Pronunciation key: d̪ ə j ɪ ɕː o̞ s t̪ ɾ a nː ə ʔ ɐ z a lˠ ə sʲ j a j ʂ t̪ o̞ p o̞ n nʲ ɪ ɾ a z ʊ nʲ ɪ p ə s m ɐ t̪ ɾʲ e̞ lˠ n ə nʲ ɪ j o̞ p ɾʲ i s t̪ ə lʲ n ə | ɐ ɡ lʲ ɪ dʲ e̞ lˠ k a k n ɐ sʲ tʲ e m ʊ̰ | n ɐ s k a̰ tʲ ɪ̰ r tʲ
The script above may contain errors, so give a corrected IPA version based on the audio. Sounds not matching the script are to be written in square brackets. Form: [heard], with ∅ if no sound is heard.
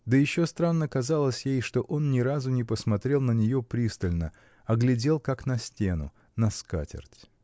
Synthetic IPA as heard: d̪ ə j ɪ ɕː o̞ s t̪ ɾ a nː ə [k] ɐ z a lˠ ə sʲ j [e] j ʂ t̪ o̞ [ʔ] o̞ n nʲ ɪ ɾ a z ʊ nʲ ɪ p ə s m ɐ t̪ ɾʲ e̞ lˠ n ə nʲ ɪ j o̞ p ɾʲ i s t̪ ə lʲ n ə | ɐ ɡ lʲ ɪ dʲ e̞ lˠ k a k n ɐ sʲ tʲ e [n] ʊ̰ | n ɐ s k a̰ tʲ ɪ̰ r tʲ